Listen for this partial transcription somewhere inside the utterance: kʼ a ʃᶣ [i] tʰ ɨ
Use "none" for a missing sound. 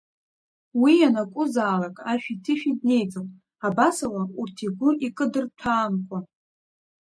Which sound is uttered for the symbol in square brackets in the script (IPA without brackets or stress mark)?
i